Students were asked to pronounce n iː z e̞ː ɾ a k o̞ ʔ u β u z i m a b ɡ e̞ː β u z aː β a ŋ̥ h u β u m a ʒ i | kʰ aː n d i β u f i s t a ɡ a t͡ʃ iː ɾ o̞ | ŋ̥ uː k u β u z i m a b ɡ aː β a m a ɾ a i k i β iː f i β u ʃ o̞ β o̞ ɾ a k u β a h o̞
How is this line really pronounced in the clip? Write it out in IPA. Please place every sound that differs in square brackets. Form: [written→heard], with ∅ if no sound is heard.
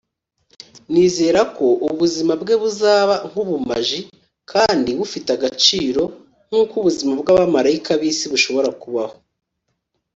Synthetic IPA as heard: n iː z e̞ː ɾ a k o̞ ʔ u β u z i m a b ɡ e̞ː β u z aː β a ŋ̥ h u β u m a ʒ i | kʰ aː n d i β u f i [s→∅] t a ɡ a t͡ʃ iː ɾ o̞ | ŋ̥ uː k u β u z i m a b ɡ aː β a m a ɾ a i k [i→a] β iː [f→s] i β u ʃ o̞ β o̞ ɾ a k u β a h o̞